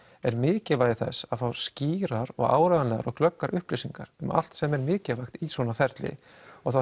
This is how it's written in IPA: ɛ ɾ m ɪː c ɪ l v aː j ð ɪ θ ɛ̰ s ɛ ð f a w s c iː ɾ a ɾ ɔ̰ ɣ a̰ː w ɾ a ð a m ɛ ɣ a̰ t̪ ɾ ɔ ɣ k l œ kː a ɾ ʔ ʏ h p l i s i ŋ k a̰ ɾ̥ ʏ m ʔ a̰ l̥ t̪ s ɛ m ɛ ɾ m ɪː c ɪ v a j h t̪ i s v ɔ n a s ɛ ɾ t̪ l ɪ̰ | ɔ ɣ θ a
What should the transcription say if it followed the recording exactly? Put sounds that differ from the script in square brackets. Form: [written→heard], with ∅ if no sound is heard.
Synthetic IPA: ɛ ɾ m ɪː c ɪ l v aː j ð ɪ θ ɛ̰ s [ɛ→a] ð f a w s c iː ɾ a ɾ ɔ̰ ɣ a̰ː w ɾ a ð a [m→n] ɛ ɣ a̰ [t̪→∅] ɾ ɔ ɣ k l œ kː a ɾ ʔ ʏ h p l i s i ŋ k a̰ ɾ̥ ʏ m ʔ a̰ l̥ t̪ s ɛ m ɛ ɾ m ɪː c ɪ v a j [h→x] t̪ i s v ɔ n a [s→f] ɛ ɾ t̪ l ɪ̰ | ɔ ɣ θ a